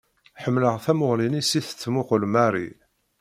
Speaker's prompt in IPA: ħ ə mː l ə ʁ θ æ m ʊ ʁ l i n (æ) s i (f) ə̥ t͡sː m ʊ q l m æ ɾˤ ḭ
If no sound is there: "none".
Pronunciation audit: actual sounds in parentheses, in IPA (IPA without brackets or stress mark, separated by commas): i, θ